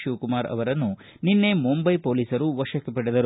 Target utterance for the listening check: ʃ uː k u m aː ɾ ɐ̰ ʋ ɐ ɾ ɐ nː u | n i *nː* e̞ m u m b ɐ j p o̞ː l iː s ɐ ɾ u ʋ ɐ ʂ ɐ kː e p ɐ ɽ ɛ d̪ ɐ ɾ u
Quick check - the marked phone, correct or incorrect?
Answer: correct